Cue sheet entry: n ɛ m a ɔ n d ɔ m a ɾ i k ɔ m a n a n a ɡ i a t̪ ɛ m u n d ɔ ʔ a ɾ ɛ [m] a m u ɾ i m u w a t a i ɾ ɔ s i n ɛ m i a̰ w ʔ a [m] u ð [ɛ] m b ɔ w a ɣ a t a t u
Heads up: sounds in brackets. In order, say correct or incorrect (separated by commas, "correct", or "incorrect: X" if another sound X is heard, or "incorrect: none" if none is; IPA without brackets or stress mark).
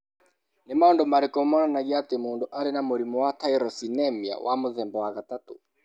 incorrect: n, correct, correct